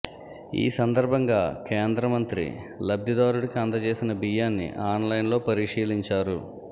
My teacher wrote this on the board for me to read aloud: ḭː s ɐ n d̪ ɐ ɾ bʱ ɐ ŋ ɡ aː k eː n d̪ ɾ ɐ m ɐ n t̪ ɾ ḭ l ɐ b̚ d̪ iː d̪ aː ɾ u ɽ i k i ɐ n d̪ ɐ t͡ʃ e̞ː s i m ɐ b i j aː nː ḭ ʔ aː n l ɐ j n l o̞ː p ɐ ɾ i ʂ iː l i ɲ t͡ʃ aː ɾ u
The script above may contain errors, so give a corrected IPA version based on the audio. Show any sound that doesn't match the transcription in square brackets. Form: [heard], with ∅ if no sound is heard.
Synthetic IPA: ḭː s ɐ n d̪ ɐ ɾ bʱ ɐ ŋ ɡ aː k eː n d̪ ɾ ɐ m ɐ n t̪ ɾ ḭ l ɐ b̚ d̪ [i] d̪ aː ɾ u ɽ i k i ɐ n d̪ ɐ t͡ʃ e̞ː s i [n] ɐ b i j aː nː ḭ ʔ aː n l ɐ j n l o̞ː p ɐ ɾ i ʂ iː l i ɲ t͡ʃ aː ɾ u